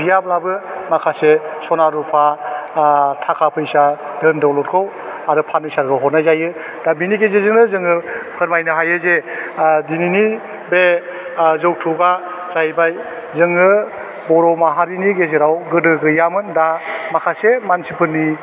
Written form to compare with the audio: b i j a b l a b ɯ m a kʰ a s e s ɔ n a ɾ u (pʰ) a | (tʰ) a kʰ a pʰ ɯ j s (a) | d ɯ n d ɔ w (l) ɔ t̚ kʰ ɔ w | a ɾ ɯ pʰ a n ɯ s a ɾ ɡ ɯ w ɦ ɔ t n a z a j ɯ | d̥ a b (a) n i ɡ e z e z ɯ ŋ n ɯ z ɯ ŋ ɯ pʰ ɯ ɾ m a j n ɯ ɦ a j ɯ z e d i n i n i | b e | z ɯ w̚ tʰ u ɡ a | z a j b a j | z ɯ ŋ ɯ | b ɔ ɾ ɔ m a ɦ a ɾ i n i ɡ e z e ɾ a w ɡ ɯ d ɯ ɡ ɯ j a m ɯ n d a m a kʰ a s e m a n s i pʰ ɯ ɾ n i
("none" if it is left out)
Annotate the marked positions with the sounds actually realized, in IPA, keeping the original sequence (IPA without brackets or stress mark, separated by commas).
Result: pʰ, tʰ, a, l, i